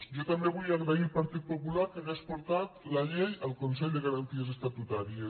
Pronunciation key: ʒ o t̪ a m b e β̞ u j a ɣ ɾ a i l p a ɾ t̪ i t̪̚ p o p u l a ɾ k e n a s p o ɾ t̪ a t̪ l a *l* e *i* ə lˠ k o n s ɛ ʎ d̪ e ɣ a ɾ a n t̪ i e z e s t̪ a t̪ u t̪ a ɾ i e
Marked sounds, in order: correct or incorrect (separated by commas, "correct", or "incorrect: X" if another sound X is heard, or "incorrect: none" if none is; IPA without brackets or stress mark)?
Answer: incorrect: ʎ, incorrect: j